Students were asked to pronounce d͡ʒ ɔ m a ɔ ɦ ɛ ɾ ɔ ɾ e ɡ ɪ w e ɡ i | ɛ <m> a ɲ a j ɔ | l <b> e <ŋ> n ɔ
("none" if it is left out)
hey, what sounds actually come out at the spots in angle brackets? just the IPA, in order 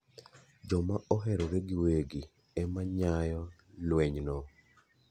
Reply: m, w, ɲ

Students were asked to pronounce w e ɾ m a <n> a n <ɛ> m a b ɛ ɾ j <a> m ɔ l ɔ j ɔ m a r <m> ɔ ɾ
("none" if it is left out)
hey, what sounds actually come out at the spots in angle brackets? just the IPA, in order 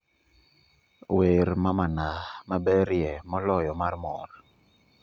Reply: m, a, ɛ, m

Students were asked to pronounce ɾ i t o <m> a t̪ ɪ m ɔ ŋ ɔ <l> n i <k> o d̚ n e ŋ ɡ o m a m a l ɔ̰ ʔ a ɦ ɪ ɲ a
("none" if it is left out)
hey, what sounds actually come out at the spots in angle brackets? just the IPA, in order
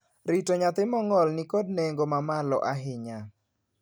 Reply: ɲ, l, k

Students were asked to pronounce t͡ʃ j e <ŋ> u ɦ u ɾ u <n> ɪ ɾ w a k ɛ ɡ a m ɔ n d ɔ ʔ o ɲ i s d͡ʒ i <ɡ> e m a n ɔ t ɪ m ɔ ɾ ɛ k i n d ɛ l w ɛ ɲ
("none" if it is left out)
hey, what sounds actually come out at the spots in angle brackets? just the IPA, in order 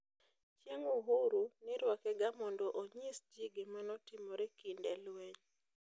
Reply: ŋ, n, ɡ

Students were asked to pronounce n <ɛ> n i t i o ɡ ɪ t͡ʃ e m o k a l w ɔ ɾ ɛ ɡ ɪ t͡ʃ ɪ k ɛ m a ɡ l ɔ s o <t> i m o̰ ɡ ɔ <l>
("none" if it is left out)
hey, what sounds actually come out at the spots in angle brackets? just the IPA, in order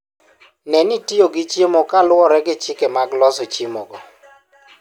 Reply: ɛ, t͡ʃ, none

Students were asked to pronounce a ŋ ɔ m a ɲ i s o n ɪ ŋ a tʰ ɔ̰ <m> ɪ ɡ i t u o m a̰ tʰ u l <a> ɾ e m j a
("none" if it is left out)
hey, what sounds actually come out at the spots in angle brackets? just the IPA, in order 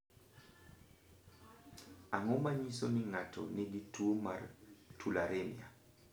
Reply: n, a

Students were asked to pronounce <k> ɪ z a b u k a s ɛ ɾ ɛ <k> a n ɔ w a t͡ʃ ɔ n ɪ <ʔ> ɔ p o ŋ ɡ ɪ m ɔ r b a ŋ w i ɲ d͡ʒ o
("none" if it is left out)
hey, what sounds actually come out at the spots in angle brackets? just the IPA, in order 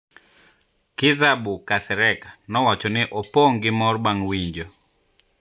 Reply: k, k, ʔ

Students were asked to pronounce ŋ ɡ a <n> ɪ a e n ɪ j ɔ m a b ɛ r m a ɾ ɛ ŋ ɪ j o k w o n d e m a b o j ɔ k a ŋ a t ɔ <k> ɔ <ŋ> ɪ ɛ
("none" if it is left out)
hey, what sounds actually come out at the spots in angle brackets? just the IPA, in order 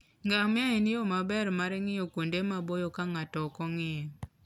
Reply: m, k, ŋ

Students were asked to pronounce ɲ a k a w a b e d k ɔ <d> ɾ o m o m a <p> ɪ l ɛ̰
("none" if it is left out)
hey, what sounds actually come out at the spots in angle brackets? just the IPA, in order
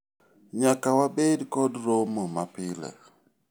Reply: d, p

